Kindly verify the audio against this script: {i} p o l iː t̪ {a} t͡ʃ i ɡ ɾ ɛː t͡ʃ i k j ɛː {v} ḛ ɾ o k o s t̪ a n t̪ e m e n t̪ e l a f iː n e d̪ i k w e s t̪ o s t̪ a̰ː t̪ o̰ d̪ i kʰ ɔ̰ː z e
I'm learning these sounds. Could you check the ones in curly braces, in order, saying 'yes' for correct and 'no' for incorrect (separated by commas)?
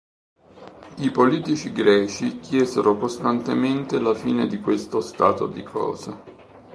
yes, no, no